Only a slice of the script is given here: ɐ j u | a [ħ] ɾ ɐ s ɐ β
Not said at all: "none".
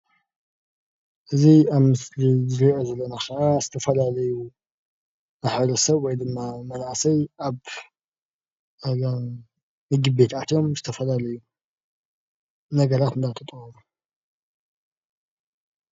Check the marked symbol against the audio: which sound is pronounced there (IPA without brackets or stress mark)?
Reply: ħ